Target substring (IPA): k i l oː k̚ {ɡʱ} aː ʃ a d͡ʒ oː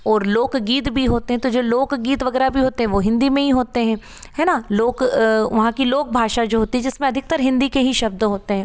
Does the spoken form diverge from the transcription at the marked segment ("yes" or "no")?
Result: yes